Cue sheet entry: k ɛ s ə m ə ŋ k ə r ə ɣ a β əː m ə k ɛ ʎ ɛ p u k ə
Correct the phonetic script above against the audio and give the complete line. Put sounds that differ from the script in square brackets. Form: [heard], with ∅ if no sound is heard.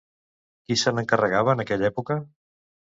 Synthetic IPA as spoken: k [i] s ə [n] ə ŋ k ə r ə ɣ a β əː [n] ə k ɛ ʎ ɛ p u k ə